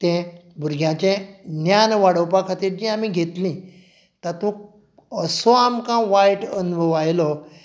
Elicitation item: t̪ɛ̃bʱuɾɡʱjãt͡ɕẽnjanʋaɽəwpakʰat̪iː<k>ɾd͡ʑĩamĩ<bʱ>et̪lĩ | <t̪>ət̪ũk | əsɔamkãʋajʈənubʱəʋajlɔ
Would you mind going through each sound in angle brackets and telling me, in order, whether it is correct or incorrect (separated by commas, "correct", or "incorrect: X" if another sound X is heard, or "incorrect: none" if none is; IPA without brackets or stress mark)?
incorrect: none, incorrect: ɡʱ, correct